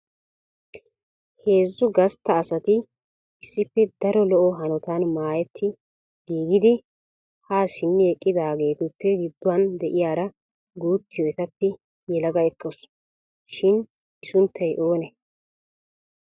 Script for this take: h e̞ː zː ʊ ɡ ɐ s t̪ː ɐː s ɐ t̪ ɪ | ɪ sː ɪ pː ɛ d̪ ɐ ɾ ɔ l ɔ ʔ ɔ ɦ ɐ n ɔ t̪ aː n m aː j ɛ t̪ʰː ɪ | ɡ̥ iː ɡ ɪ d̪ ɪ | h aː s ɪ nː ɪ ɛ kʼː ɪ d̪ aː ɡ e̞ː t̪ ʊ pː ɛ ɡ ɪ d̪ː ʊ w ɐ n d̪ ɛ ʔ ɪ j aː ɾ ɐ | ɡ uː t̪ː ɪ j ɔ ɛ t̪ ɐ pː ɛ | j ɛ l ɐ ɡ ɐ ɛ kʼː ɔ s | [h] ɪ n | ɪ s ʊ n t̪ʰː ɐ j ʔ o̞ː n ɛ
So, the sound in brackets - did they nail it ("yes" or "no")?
no